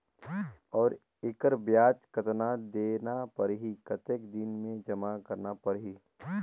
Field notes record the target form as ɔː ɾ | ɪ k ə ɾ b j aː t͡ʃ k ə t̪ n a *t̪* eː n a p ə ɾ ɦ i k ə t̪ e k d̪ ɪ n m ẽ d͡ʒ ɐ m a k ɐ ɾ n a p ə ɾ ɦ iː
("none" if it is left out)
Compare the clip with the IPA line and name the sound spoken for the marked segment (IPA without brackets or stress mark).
d̪